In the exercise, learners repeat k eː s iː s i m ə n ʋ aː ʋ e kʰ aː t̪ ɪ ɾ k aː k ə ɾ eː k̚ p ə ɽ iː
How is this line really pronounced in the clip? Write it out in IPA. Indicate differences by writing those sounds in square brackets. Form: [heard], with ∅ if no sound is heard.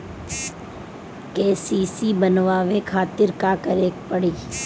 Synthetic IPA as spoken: k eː s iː s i [b] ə n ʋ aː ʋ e kʰ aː t̪ ɪ ɾ k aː k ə ɾ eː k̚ p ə ɽ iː